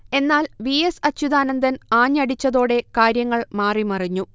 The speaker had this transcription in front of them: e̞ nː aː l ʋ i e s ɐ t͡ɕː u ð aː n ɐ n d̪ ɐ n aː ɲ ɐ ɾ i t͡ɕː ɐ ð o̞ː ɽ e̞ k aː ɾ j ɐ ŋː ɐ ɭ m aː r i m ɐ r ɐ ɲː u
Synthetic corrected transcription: e̞ nː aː l ʋ i e s ɐ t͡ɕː u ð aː n ɐ n d̪ ɐ n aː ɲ ɐ ɽ i t͡ɕː ɐ ð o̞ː ɽ e̞ k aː ɾ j ɐ ŋː ɐ ɭ m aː r i m ɐ r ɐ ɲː u

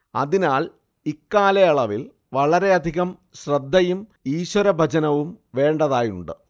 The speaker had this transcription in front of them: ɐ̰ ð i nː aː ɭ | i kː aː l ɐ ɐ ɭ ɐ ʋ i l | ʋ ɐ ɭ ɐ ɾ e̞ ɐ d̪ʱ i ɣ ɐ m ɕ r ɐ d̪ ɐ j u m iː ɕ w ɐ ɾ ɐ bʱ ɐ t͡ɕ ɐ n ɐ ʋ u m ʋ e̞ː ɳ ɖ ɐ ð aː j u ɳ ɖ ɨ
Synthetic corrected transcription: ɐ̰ ð i n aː ɭ | i kː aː l ɐ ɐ ɭ ɐ ʋ i l | ʋ ɐ ɭ ɐ ɾ e̞ ɐ d̪ʱ i ɣ ɐ m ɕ r ɐ d̪ː ɐ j u m iː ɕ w ɐ ɾ ɐ bʱ ɐ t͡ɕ ɐ n ɐ ʋ u m ʋ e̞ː ɳ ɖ ɐ ð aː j u ɳ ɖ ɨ

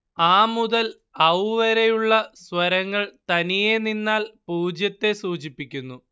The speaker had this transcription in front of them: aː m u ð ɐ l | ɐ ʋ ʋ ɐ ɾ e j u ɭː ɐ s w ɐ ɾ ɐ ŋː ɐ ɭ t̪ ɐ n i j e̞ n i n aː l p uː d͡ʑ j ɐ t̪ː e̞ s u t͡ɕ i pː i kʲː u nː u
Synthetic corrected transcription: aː m u ð ɐ l | ɐ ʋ ʋ ɐ ɾ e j u ɭː ɐ s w ɐ ɾ ɐ ŋː ɐ ɭ t̪ ɐ n i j e̞ n i nː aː l p uː d͡ʑ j ɐ t̪ː e̞ s uː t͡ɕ i pː i kʲː u nː u

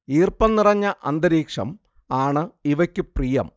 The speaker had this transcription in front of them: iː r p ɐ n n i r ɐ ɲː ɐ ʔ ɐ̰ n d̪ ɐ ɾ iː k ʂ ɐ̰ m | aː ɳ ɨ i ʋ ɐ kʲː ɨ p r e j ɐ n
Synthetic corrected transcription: iː r p ɐ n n i r ɐ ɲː ɐ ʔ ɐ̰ n d̪ ɐ ɾ iː k ʂ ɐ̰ m | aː ɳ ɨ i ʋ ɐ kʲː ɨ p r i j ɐ m

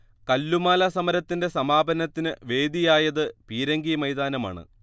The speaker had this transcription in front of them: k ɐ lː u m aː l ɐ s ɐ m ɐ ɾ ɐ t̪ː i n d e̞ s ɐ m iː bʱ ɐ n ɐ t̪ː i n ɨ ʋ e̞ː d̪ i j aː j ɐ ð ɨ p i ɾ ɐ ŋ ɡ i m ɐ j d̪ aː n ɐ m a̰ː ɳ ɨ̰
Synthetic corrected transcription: k ɐ lː u m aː l ɐ s ɐ m ɐ ɾ ɐ t̪ː i n d e̞ s ɐ m aː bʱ ɐ n ɐ t̪ː i n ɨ ʋ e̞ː d̪ i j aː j ɐ ð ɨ p iː ɾ ɐ ŋ ɡ i m ɐ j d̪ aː n ɐ m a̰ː ɳ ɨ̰

